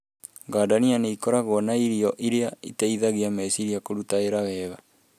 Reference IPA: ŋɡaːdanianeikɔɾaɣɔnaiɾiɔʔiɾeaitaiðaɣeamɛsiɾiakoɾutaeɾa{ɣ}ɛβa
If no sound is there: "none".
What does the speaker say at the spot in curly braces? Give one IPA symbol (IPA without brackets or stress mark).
w